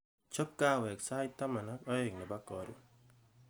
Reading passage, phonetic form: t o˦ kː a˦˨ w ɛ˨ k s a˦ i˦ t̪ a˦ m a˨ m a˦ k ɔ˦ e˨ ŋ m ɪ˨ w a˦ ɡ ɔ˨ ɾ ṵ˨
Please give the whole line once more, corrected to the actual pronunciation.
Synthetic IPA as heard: t͡ʃ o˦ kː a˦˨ w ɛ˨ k s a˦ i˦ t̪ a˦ m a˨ n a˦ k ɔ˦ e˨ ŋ n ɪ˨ b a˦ k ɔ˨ ɾ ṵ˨